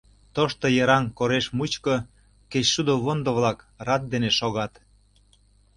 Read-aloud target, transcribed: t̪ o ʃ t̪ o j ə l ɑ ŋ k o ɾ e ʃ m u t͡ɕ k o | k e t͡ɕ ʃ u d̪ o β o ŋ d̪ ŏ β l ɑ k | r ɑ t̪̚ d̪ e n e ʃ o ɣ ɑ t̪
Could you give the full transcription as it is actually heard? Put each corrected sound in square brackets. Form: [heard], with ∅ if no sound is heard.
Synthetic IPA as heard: t̪ o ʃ t̪ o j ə [ɾ] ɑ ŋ k o ɾ e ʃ m u t͡ɕ k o | k e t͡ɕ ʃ u d̪ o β o [n] d̪ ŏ β l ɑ k | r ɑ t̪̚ d̪ e n e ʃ o ɣ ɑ t̪